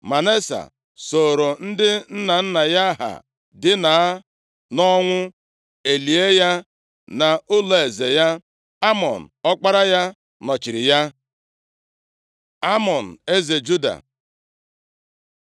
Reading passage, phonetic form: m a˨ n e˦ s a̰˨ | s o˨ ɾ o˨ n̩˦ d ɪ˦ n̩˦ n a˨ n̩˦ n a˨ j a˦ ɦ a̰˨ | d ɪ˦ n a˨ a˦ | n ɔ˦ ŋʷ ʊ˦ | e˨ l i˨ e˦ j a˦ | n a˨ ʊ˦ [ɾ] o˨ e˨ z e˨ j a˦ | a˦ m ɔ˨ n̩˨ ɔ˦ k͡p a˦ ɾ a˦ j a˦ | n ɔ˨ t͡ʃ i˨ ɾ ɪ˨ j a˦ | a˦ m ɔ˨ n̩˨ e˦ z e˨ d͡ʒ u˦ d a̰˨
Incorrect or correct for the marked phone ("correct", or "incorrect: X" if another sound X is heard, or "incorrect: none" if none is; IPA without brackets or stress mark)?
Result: incorrect: l